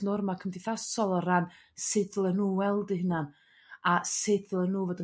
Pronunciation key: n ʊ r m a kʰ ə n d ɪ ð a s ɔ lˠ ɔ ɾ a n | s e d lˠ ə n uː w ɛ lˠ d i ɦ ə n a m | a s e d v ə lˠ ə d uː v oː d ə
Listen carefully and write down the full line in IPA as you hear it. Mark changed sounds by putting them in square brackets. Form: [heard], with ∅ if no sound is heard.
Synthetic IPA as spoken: n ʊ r m a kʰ ə [m] d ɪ [θ] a s ɔ lˠ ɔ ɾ a n | s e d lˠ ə n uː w ɛ lˠ d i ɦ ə n a [n] | a s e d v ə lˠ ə [n] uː v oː d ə